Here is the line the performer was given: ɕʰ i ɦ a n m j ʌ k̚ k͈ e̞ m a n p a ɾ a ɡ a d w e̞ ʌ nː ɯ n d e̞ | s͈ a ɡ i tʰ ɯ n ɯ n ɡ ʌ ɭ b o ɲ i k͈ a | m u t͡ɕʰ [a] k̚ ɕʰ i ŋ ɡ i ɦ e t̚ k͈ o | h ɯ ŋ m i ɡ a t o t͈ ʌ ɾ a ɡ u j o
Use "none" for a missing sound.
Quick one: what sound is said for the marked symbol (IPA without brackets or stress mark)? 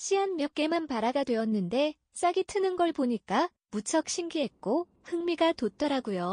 ʌ